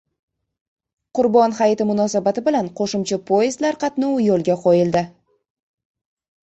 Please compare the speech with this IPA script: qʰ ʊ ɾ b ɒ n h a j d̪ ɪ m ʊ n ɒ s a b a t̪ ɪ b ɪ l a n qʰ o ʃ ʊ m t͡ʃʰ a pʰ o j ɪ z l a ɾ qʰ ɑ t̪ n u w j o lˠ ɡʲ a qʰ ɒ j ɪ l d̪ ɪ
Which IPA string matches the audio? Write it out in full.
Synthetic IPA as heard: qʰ ʊ ɾ b ɒ n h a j t̪ ɪ m ʊ n ɒ s a b a t̪ ɪ b ɪ l a n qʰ o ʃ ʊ m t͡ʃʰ a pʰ o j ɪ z l a ɾ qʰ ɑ t̪ n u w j o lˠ ɡʲ a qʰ o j ɪ l d̪ ɪ